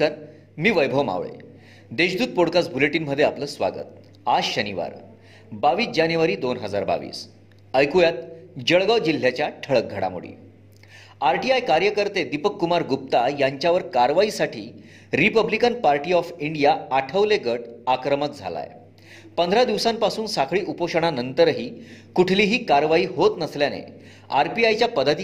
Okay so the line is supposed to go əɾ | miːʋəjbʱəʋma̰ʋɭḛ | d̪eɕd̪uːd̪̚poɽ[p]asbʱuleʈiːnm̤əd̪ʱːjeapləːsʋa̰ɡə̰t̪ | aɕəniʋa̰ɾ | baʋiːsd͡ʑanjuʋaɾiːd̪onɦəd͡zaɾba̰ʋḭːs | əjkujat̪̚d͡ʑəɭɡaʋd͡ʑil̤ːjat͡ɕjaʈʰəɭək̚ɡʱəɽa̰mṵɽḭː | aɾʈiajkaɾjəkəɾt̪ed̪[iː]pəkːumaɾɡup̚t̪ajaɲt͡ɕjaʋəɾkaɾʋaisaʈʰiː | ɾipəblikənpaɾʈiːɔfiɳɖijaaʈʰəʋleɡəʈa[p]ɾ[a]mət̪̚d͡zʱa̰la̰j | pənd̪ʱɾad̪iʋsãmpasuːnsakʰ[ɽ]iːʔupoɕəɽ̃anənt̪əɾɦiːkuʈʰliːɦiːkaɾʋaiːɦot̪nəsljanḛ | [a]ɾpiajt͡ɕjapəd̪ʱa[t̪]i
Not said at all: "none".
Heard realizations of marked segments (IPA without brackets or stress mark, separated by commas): k, i, k, ə, ɭ, a, t̪